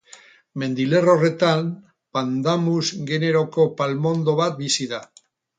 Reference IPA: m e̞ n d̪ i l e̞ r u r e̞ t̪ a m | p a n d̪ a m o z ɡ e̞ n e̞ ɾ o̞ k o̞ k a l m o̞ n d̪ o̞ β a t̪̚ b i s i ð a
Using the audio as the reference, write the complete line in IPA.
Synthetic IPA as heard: m e̞ n d̪ i l e̞ r o r e̞ t̪ a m | p a n d̪ a m u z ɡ e̞ n e̞ ɾ o̞ k o̞ p a l m o̞ n d̪ o̞ β a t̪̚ b i s i ð a